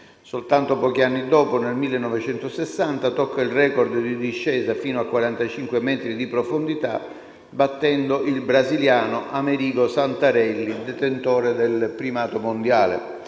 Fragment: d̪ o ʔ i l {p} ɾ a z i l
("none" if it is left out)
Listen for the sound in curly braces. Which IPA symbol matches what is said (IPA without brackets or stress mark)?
b